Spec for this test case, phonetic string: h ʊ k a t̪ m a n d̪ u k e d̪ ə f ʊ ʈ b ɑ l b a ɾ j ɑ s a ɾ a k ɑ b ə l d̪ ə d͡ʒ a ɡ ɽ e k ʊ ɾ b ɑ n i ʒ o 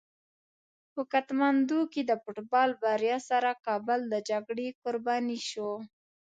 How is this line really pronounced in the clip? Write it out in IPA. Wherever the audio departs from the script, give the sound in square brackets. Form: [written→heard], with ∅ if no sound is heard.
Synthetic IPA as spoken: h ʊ k a t̪ m a n d̪ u k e d̪ ə f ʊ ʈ b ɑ l b a ɾ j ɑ s a ɾ a k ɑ b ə l d̪ ə d͡ʒ a ɡ ɽ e k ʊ ɾ b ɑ n i [ʒ→ʃ] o

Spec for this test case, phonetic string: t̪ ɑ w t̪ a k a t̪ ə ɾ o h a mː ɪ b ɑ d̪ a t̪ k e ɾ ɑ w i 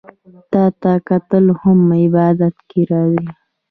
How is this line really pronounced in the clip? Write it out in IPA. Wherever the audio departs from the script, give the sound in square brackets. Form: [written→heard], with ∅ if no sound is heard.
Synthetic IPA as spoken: t̪ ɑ [w→∅] t̪ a k a t̪ ə [ɾ→l] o h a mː ɪ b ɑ d̪ a t̪ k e ɾ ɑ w i

